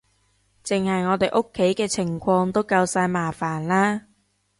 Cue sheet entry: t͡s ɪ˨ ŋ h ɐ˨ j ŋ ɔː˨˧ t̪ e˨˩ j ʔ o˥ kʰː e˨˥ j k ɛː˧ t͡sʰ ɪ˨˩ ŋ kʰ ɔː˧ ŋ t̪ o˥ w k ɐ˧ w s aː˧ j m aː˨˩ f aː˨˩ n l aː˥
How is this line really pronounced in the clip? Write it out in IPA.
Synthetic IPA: t͡s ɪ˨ ŋ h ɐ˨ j ŋ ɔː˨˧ t̪ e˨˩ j ʔ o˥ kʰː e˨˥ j k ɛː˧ t͡sʰ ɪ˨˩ ŋ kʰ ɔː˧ ŋ t̪ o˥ w k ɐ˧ w s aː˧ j m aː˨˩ f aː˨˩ n l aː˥

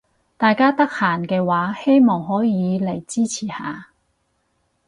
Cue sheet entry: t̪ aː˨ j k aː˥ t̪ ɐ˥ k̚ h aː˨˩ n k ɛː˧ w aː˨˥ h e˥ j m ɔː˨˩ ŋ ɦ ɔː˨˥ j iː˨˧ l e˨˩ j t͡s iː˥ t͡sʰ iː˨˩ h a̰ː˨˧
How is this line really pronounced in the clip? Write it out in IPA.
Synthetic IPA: t̪ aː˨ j k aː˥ t̪ ɐ˥ k̚ h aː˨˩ n k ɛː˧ w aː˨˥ h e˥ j m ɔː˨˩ ŋ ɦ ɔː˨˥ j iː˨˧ l e˨˩ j t͡s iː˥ t͡sʰ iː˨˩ h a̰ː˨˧

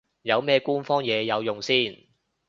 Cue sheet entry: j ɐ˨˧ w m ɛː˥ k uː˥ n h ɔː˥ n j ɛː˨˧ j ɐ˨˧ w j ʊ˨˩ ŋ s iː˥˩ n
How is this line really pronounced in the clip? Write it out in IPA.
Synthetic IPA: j ɐ˨˧ w m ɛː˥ k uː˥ n f ɔː˥ ŋ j ɛː˨˧ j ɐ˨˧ w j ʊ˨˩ ŋ s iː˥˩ n

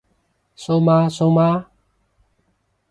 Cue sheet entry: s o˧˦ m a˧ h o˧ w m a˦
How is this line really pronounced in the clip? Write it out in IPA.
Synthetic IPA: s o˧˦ m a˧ s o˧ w m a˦

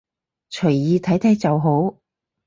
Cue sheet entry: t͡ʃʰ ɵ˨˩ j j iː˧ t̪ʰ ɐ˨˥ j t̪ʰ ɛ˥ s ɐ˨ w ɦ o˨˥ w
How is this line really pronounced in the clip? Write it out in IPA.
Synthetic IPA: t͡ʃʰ ɵ˨˩ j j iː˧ t̪ʰ ɐ˨˥ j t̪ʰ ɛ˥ t͡s ɐ˨ w ɦ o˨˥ w

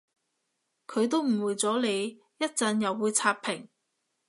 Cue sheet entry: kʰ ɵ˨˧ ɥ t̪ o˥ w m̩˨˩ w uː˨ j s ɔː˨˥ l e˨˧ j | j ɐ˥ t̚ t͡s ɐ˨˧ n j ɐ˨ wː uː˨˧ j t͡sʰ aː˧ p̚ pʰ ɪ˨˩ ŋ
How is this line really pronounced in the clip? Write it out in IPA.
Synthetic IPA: kʰ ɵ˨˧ ɥ t̪ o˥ w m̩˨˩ w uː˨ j t͡s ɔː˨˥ l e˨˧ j | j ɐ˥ t̚ t͡s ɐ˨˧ n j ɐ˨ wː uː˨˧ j t͡sʰ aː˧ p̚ pʰ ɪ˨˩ ŋ

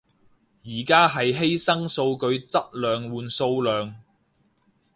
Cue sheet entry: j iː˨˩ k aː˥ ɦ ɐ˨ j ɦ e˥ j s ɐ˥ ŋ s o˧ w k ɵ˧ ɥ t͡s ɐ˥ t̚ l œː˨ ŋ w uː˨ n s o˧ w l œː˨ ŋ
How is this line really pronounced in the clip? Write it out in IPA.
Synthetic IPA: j iː˨˩ k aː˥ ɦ ɐ˨ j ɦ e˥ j s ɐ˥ ŋ s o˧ w k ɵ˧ ɥ t͡s ɐ˥ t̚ l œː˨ ŋ w uː˨ n s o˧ w l œː˨ ŋ

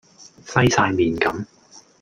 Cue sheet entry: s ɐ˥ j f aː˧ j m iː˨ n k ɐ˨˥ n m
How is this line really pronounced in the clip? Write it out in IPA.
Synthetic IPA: s ɐ˥ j s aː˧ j m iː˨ n k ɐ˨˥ m

